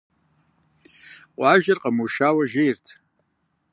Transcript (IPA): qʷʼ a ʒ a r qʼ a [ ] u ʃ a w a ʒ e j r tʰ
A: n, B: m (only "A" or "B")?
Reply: B